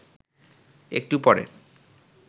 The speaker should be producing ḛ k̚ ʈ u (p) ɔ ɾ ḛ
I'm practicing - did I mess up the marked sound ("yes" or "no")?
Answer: no